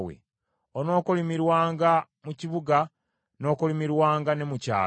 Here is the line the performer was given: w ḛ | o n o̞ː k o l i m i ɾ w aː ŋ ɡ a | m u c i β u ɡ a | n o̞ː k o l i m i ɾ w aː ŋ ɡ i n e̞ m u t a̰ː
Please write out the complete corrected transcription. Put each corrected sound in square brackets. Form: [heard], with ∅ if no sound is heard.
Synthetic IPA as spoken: w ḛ | o n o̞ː k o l i m i ɾ w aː ŋ ɡ a | m u c i β u ɡ a | n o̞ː k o l i m i ɾ w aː ŋ ɡ [a] n e̞ m u [c] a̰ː

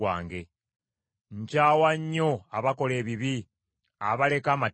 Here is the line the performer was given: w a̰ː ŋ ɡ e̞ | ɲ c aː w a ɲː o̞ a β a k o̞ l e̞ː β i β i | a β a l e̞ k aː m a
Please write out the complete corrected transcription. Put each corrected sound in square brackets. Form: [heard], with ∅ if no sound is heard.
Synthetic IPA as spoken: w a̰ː ŋ ɡ e̞ | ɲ c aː w a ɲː o̞ a β a k o̞ l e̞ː β i β i | a β a l e̞ k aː m a

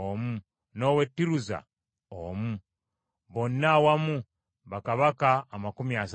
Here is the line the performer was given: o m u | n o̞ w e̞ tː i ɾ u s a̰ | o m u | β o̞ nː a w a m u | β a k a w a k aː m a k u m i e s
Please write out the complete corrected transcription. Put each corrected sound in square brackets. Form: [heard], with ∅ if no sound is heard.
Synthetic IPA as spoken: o m u | n o̞ w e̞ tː i ɾ u [z] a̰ | o m u | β o̞ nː a w a m u | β a k a [β] a k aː m a k u m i [a] s

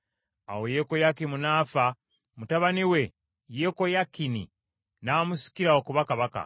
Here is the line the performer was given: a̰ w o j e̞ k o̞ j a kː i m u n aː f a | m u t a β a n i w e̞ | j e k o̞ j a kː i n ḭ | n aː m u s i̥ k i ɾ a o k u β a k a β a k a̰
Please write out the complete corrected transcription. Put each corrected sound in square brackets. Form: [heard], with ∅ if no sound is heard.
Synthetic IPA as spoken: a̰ w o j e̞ k o̞ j a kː i m u n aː f a | m u t a β a n i w e̞ | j e k o̞ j a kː i n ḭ | n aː m u s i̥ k i ɾ a o k u β a k a β a k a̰

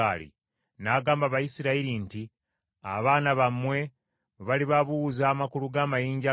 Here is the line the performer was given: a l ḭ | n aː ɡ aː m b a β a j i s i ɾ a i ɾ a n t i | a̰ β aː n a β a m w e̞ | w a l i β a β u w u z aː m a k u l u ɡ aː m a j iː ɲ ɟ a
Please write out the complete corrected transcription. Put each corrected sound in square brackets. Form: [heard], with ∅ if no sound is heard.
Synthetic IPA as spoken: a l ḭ | n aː ɡ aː m b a β a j i s i ɾ a i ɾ [i] n t i | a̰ β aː n a β a m w e̞ | [β] a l i β a β u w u z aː m a k u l u ɡ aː m a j iː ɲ ɟ a

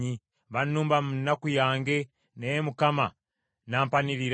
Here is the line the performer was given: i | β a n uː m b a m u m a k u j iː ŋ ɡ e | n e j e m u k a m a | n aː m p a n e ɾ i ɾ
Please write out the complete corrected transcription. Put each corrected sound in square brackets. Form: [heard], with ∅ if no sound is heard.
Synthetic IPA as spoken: i | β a n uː m b a m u [n] a k u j [aː] ŋ ɡ e | n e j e m u k a m a | n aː m p a n [i] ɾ i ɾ

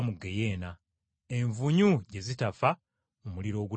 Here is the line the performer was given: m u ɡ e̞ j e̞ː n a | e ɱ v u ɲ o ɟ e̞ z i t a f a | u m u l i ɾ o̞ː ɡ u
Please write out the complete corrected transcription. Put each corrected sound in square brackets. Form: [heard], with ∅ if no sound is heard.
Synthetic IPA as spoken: m u ɡ e̞ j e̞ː n a | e ɱ v u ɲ [u] ɟ e̞ z i t a f a | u m u l i ɾ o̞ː ɡ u

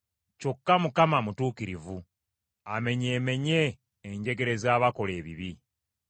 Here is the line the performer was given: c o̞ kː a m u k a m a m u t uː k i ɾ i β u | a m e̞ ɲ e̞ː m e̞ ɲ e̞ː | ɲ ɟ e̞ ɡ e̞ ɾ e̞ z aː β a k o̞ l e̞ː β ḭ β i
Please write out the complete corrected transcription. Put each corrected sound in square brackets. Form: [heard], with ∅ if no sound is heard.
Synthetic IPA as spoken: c o̞ kː a m u k a m a m u t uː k i ɾ i [v] u | a m e̞ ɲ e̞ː m e̞ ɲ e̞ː | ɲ ɟ e̞ ɡ e̞ ɾ e̞ z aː β a k o̞ l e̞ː β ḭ β i

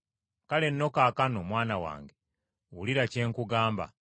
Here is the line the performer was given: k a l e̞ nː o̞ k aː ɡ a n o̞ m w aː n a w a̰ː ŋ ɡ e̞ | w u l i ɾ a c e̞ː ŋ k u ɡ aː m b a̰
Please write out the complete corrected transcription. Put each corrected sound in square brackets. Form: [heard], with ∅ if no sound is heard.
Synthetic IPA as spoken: k a l e̞ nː o̞ k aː [k] a n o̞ m w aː n a w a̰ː ŋ ɡ e̞ | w u l i ɾ a c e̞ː ŋ k u ɡ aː m b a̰

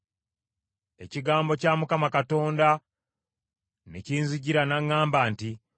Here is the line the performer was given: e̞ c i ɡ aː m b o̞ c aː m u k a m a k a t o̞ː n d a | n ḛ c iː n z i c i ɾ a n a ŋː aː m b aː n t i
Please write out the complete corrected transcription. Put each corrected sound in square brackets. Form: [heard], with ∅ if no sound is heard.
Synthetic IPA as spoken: e̞ c i ɡ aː m b o̞ c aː m u k a m a k a t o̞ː n d a | n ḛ c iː n z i [ɟ] i ɾ a n a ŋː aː m b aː n t i

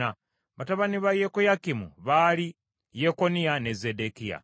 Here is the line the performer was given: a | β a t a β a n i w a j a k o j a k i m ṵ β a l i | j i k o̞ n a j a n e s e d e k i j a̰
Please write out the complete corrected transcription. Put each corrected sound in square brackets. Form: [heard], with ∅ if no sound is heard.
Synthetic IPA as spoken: a | β a t a β a n i [β] a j [e] k o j a k i m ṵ β a l i | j [e] k o̞ n [i] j a n e [z] e d e k i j a̰

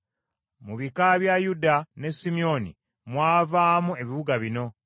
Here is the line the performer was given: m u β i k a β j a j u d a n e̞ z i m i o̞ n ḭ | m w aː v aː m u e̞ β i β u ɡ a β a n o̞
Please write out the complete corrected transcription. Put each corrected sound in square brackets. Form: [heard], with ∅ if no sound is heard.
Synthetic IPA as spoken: m u β i k a β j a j u d a n e̞ [s] i m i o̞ n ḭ | m w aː v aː m u e̞ β i β u ɡ a β [i] n o̞

